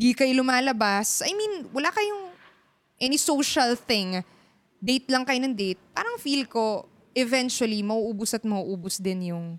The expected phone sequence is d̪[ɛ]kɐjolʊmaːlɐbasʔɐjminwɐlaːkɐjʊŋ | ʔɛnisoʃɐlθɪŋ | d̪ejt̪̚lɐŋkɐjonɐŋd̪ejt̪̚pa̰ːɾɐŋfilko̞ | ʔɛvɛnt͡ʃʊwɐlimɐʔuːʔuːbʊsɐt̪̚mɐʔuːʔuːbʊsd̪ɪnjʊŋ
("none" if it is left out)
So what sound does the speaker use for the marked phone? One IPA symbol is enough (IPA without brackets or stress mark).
i